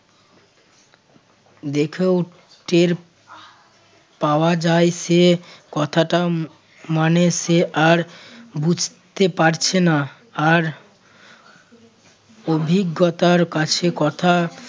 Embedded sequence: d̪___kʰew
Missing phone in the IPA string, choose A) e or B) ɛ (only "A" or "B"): A